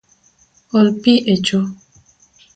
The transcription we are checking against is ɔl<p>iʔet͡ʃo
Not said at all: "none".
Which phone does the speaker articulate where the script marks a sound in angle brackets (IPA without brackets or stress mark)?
p